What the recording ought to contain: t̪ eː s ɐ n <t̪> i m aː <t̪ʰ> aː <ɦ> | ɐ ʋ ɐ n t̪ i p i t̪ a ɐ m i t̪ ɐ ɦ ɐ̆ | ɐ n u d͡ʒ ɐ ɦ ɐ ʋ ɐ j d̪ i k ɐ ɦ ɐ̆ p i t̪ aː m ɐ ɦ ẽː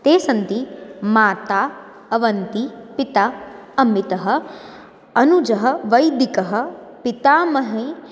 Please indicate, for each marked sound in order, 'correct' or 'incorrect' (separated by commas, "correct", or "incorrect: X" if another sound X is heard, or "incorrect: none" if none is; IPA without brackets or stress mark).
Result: correct, incorrect: t̪, incorrect: none